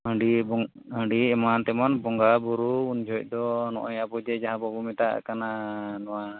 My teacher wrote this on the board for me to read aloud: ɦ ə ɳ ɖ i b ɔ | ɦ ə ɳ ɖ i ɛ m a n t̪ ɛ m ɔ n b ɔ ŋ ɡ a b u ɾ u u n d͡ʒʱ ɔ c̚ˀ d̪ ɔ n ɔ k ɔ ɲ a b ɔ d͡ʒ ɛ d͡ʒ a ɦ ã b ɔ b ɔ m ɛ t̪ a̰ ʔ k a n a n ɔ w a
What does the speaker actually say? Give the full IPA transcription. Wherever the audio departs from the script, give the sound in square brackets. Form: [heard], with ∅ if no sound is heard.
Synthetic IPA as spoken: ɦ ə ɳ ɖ i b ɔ | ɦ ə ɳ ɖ i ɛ m a n t̪ ɛ m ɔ n b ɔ ŋ ɡ a b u ɾ u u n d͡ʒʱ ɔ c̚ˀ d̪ ɔ n ɔ [ʔ] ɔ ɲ a b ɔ d͡ʒ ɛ d͡ʒ a ɦ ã b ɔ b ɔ m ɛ t̪ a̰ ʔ k a n a n ɔ w a